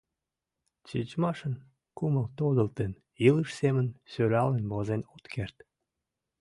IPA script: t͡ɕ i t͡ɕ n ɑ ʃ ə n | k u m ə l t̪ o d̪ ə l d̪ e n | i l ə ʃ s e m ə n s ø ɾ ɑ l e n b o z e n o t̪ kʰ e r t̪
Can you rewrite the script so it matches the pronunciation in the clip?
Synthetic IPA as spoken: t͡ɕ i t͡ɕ m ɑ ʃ ə n | k u m ə l t̪ o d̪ ə l t̪ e n | i l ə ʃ s e m ə n s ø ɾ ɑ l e n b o z e n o t̪ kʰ e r t̪